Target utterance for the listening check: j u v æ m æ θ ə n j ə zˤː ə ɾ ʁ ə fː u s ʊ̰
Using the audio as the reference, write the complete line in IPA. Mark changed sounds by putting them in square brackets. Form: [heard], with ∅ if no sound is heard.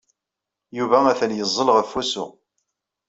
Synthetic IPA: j u v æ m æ θ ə n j ə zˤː ə [l] ʁ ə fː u s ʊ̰